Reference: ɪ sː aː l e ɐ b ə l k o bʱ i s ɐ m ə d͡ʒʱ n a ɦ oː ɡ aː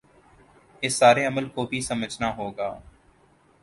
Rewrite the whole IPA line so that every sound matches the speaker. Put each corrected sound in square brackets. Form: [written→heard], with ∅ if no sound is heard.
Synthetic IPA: ɪ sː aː [l→ɾ] e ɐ [b→m] ə l k o bʱ i s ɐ m ə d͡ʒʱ n a ɦ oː ɡ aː